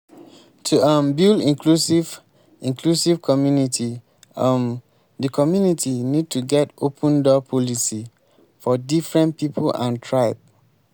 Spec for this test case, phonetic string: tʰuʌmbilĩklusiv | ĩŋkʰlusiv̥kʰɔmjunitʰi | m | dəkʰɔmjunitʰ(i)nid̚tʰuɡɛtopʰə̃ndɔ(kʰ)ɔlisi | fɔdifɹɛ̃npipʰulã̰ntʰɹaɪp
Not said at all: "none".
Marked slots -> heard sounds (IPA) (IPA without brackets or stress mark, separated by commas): i, pʰ